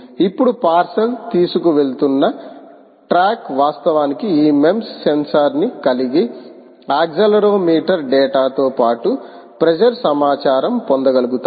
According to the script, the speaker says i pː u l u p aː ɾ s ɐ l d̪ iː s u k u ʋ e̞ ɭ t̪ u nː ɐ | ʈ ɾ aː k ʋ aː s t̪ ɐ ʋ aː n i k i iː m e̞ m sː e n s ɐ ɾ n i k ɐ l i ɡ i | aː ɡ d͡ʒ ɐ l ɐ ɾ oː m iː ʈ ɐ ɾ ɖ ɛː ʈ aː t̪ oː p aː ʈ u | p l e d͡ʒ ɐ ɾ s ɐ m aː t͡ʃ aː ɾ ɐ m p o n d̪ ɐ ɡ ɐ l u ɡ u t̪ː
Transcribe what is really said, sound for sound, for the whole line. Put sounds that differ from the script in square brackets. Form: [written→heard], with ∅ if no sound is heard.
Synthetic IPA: i pː u [l→ɽ] u p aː ɾ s ɐ l [d̪→t̪] iː s u k u ʋ e̞ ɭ t̪ u nː ɐ | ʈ ɾ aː k ʋ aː s t̪ ɐ ʋ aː n i k i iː m e̞ m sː e n s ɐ ɾ n i k ɐ l i ɡ i | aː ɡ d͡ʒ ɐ l ɐ ɾ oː m iː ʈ ɐ ɾ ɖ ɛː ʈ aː t̪ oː p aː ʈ u | p [l→ɾ] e d͡ʒ ɐ ɾ s ɐ m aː t͡ʃ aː ɾ ɐ m p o n d̪ ɐ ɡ ɐ l u ɡ u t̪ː